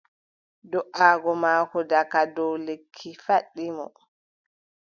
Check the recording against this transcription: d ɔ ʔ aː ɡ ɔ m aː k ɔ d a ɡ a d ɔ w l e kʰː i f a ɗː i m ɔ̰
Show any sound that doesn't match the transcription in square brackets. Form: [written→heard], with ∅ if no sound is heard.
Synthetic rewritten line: d ɔ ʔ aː ɡ ɔ m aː k ɔ d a [ɡ→k] a d ɔ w l e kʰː i f a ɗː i m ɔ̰